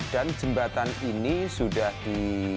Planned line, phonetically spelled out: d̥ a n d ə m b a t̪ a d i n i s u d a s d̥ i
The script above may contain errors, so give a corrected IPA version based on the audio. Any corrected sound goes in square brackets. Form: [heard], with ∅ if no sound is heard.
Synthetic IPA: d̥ a n [d͡ʒ] ə m b a t̪ a [n] i n i s u d a [h] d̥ i